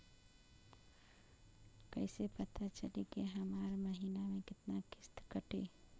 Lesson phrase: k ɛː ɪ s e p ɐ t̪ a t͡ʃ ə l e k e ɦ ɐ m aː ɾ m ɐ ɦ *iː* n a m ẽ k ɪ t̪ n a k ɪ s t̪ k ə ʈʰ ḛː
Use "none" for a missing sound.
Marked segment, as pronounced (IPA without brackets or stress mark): iː